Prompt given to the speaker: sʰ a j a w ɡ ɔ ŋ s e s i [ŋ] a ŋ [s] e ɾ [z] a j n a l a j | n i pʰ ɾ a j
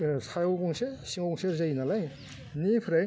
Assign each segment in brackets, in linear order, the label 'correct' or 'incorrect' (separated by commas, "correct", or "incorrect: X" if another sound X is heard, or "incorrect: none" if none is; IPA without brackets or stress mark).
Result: correct, correct, correct